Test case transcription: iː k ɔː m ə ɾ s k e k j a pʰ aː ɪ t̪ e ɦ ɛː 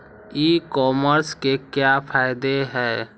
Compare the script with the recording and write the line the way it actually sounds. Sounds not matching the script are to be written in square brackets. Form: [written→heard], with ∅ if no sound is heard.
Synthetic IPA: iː k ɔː m ə ɾ s k e k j a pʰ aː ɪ [t̪→d̪] e ɦ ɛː